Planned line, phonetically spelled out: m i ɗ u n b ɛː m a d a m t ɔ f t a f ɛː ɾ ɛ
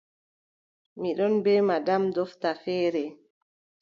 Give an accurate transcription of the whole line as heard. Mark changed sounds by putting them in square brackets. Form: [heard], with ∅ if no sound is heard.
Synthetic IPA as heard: m i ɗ [ɔ] n b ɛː m a d a m [d] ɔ f t a f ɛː ɾ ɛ